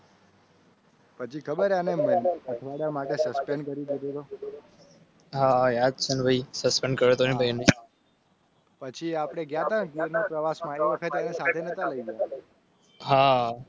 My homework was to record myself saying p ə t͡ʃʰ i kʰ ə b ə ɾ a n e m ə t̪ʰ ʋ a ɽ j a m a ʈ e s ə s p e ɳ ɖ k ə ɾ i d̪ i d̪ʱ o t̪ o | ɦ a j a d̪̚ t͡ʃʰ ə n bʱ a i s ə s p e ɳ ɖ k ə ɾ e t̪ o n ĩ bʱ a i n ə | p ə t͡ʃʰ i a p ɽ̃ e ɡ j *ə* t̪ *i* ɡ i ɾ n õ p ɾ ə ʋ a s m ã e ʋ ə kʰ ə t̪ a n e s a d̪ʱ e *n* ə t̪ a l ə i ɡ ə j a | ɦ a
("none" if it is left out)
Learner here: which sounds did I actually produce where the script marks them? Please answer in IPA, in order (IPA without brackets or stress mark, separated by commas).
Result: a, a, n